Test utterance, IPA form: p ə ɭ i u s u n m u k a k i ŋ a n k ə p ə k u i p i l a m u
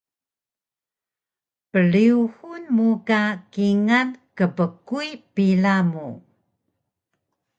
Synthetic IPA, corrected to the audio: p ə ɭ i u h u n m u k a k i ŋ a n k ə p ə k u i p i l a m u